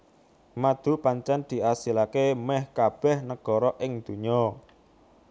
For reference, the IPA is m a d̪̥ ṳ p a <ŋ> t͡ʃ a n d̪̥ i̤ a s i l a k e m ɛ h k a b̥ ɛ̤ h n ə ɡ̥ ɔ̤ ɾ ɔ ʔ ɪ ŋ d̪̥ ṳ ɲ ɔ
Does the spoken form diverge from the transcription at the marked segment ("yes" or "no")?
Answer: yes